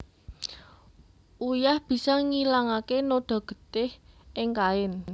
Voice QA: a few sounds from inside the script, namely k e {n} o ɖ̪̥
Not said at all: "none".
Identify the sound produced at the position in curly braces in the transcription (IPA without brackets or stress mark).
n